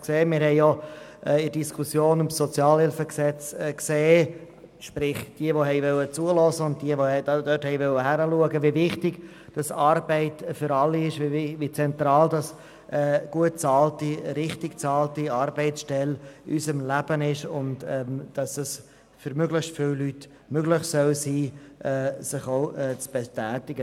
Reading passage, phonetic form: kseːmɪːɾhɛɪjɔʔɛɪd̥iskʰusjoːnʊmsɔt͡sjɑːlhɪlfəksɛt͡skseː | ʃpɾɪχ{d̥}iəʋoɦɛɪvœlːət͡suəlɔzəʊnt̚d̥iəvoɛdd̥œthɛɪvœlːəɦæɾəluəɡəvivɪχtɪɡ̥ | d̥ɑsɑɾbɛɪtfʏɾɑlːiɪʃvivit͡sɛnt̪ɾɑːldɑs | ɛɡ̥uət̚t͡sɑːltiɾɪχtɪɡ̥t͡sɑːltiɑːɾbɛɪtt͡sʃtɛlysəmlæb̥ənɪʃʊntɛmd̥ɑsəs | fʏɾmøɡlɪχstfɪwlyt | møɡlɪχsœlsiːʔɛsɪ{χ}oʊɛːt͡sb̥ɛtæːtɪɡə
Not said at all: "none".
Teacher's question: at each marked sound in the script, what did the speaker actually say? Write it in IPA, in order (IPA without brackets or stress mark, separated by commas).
d̥, χ